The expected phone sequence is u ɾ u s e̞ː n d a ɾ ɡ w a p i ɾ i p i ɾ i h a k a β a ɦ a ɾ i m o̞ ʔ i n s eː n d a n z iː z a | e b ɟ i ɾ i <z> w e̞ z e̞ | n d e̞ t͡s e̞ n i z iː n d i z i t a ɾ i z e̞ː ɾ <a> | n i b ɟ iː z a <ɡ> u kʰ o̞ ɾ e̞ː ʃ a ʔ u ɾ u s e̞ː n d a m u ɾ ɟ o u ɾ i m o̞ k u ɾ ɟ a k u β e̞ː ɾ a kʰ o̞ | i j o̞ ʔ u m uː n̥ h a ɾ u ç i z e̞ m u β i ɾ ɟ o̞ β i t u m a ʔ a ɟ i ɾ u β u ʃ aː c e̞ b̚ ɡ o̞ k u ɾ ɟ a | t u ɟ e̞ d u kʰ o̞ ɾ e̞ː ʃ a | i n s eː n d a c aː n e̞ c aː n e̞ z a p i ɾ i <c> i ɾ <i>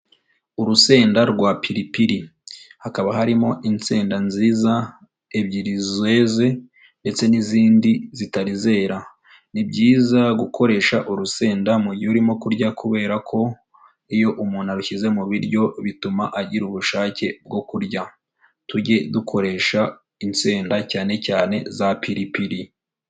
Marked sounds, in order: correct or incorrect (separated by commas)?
correct, correct, correct, incorrect, correct